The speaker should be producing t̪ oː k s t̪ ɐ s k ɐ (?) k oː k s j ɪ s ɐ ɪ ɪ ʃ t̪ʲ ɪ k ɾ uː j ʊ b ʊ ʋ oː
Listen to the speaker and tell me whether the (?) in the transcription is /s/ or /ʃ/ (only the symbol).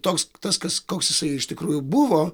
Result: s